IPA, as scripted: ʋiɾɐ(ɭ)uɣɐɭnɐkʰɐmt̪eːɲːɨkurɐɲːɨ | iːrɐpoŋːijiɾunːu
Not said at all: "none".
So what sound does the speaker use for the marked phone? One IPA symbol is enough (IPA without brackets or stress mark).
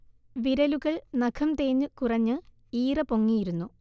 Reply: l